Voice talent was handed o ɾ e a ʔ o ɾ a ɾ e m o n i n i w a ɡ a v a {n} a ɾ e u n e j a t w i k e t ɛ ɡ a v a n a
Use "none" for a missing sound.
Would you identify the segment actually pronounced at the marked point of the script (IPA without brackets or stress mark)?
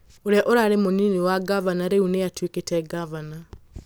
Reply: n